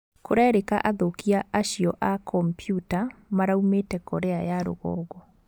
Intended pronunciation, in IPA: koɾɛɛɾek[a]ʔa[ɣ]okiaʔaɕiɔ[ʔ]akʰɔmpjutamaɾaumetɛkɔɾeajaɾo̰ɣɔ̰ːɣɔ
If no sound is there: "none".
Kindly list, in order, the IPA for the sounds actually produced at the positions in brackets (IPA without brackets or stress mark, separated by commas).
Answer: a, ð, ʔ